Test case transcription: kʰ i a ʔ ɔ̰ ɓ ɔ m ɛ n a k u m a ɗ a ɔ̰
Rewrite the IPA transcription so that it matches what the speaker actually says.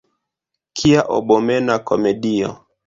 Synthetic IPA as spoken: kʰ i a ʔ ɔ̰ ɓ ɔ m ɛ n a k ɔ m ɛ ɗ i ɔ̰

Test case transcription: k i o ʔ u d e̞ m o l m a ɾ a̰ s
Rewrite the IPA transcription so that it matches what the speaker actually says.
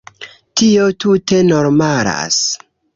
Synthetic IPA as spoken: t i o t u t e̞ n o ɾ m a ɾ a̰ s

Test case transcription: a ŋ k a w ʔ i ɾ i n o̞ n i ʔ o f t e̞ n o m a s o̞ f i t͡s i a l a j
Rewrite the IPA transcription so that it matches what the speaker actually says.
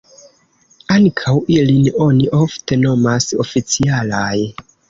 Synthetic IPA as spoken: a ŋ kʰ a w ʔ i l i n o̞ n i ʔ o f t e̞ n o m a s o̞ f i t͡s i a l a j

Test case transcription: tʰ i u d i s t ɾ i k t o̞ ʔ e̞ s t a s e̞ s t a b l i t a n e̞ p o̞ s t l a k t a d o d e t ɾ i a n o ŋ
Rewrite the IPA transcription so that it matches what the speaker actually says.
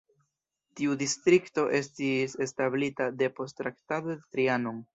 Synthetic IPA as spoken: t i u d i s t ɾ i k t o̞ ʔ e̞ s t i s e̞ s t a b l i t a d e̞ p o̞ s t ɾ a k t a d o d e t ɾ i a n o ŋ

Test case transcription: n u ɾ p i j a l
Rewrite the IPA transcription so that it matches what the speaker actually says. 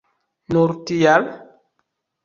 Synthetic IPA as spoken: n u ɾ t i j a l

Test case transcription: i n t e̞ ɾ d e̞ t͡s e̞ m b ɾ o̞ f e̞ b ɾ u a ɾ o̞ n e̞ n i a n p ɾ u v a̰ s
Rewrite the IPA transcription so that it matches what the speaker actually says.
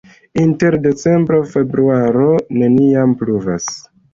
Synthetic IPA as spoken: i n t e̞ ɾ d e̞ t͡s e̞ m b ɾ o̞ f e̞ b ɾ u a ɾ o̞ n e̞ n i a m p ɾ u v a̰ s

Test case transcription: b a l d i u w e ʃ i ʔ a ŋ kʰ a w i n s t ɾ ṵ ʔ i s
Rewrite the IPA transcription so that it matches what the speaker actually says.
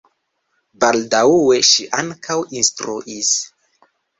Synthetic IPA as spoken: b a l d a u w e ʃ i ʔ a ŋ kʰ a w i n s t ɾ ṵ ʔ i s

